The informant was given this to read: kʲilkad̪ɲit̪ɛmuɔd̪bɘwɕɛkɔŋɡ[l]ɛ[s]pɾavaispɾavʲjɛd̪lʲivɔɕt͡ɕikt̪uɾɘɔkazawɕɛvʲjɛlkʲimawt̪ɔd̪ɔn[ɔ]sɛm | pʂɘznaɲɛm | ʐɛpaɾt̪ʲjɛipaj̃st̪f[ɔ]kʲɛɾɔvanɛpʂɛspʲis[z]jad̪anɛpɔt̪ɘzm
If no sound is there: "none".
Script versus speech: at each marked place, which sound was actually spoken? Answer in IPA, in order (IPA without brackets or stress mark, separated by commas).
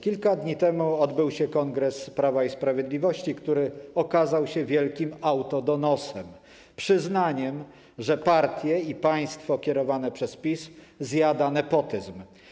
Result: ɾ, s, ɔ, ɔ, z